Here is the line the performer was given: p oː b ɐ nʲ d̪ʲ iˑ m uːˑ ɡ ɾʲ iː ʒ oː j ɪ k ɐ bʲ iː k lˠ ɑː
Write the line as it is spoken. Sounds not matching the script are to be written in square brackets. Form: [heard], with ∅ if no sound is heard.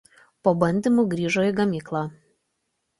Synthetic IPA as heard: p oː b ɐ nʲ d̪ʲ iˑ m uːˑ ɡ ɾʲ iː ʒ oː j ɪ [ɡ] ɐ [mʲ] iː k lˠ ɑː